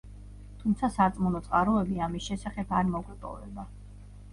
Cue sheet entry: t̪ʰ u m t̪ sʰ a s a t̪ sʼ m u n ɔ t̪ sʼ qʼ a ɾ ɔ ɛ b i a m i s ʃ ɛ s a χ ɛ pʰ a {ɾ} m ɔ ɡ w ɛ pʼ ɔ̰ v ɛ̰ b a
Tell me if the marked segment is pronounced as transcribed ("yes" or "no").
yes